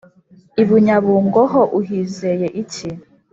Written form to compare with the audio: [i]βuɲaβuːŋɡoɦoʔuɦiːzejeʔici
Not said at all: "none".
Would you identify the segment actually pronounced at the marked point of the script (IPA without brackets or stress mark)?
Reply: i